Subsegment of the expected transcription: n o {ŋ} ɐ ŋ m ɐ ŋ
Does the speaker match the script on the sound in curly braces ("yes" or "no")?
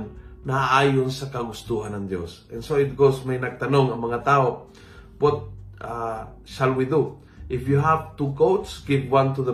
yes